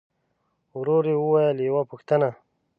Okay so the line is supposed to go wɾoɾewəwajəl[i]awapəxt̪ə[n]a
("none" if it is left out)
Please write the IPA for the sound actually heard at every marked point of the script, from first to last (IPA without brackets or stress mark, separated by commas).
j, n